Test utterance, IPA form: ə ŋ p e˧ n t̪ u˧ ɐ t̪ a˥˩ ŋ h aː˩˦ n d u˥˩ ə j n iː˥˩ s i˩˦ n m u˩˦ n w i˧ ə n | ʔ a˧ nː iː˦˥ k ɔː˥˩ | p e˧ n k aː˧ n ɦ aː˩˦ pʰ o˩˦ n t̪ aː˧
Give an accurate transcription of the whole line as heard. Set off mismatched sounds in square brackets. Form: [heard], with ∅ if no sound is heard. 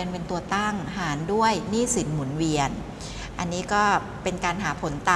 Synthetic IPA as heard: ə [n] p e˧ n t̪ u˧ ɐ t̪ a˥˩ ŋ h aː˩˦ n d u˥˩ ə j n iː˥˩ s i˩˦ n m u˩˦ n w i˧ ə n | ʔ a˧ nː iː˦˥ k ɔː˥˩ | p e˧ n k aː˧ n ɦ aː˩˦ pʰ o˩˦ n t̪ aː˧